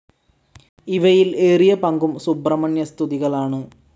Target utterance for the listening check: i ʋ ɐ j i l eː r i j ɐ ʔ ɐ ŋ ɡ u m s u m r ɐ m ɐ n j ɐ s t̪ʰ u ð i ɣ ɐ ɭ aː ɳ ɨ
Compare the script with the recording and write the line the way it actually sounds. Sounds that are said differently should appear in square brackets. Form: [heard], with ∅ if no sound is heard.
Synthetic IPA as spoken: i ʋ ɐ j i l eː r i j ɐ [p] ɐ ŋ ɡ u m s u [b] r ɐ m ɐ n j ɐ s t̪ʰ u ð i ɣ ɐ ɭ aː ɳ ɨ